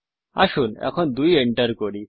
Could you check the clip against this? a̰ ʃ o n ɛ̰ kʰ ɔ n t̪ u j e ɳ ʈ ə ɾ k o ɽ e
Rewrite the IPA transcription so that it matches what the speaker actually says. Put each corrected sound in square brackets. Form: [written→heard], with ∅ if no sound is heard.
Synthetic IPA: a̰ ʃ [o→u] n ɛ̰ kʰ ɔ n [t̪→d̪] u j e ɳ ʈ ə ɾ k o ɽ [e→i]